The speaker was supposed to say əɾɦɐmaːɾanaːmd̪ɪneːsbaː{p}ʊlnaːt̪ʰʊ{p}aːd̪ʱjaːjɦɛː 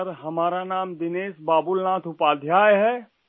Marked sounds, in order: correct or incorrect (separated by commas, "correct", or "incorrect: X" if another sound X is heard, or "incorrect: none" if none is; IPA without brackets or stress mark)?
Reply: incorrect: b, correct